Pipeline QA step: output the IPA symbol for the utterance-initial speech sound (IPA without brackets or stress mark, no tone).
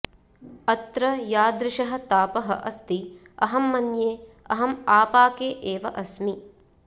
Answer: ɐ